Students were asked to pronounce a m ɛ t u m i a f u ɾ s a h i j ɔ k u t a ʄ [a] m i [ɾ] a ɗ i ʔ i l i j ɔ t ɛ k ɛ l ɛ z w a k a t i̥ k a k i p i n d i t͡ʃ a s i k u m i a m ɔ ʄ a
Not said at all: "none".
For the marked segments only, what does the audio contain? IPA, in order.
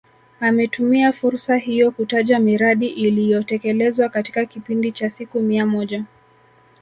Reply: a, ɾ

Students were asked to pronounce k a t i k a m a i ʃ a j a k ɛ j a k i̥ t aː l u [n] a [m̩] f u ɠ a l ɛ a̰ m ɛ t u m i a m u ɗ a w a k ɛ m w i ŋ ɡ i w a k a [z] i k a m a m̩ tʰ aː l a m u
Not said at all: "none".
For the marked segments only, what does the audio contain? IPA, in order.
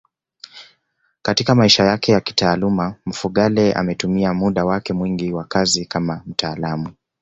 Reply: m, m̩, z

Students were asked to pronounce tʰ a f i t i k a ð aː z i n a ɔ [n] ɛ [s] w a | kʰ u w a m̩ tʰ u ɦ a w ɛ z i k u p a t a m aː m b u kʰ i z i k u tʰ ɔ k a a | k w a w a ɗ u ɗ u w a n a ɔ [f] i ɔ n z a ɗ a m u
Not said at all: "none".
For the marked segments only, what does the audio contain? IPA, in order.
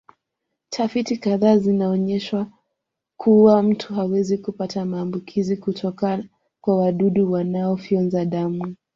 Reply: ɲ, ʃ, f

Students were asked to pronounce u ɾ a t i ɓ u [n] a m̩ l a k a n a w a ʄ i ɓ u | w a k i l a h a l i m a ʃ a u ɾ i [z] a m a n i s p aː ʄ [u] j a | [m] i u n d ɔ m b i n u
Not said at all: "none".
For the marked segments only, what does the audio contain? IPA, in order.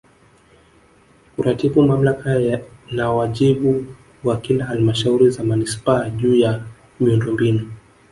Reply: m, z, uː, m

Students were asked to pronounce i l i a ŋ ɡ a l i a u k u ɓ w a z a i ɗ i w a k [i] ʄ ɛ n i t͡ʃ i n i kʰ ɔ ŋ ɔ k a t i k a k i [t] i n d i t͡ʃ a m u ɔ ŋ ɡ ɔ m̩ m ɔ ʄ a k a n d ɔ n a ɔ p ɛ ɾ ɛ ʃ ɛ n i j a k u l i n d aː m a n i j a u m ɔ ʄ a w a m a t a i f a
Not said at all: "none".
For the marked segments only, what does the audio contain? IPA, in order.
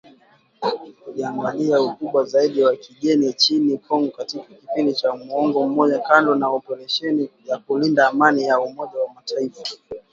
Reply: i, p

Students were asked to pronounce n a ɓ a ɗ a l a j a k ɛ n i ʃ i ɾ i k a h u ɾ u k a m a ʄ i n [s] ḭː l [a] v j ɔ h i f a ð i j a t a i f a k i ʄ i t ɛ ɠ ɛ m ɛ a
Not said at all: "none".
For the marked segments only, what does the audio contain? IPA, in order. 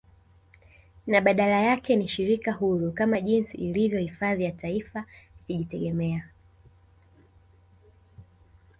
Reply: s, i

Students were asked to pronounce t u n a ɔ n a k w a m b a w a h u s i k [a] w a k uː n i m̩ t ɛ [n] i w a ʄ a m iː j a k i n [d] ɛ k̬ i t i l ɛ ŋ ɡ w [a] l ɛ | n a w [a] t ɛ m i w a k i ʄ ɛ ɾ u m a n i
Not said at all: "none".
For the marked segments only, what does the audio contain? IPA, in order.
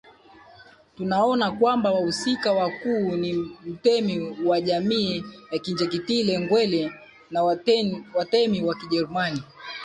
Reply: a, m, d͡ʒ, ɛ, a

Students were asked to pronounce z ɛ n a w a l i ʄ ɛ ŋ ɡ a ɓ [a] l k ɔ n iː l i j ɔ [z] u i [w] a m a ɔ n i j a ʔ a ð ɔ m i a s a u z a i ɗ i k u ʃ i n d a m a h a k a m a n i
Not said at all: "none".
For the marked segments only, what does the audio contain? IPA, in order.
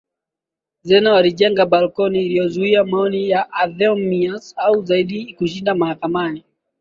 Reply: a, z, none

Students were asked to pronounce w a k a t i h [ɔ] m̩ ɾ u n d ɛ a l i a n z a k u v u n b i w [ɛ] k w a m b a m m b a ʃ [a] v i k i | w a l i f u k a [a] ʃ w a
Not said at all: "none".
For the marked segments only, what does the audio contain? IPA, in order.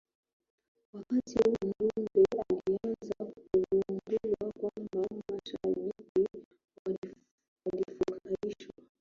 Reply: u, a, a, i

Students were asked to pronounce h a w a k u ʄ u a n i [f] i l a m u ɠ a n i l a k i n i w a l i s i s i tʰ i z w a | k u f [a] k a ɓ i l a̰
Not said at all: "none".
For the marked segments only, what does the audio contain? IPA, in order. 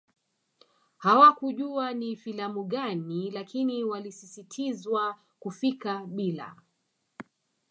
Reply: f, i

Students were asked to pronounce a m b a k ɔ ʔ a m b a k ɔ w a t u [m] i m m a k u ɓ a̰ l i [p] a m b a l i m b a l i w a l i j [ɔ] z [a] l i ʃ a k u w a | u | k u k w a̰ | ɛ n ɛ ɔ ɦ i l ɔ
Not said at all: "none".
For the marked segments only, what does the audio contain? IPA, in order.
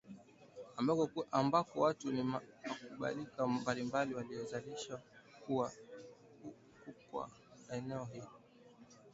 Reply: n, k, ɔ, a

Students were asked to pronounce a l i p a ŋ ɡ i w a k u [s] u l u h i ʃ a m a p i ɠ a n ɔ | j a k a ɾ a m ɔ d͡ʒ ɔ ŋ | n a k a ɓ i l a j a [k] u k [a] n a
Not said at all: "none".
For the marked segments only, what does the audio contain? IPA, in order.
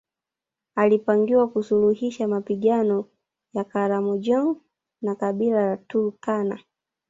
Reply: s, t, a

